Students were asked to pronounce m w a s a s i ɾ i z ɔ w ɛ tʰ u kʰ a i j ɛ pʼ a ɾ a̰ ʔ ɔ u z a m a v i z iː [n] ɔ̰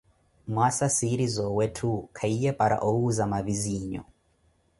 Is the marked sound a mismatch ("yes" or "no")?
yes